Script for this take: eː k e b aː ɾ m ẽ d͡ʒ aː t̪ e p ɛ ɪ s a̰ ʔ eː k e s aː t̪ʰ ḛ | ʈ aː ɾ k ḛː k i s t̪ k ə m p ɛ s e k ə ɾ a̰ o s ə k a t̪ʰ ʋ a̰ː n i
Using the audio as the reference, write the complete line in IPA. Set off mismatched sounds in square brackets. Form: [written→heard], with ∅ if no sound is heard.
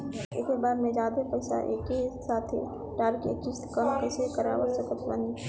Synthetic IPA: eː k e b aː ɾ m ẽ d͡ʒ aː [t̪→d̪] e p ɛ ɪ s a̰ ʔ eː k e s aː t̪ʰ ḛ | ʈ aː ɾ k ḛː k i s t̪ k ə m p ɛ s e k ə ɾ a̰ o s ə k [a→ə] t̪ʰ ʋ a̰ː n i